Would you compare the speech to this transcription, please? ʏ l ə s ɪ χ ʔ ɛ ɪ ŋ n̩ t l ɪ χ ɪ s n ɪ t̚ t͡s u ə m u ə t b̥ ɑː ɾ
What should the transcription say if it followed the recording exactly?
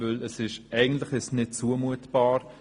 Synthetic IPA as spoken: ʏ l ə s ɪ ʃ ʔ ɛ ɪ ɡ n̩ t l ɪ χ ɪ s n ɪ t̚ t͡s u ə m u ə t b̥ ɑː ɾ